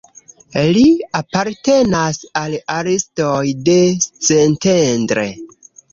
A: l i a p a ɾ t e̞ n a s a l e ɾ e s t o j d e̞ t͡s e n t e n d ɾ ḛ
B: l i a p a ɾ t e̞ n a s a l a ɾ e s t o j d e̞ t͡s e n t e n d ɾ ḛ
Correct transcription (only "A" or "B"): B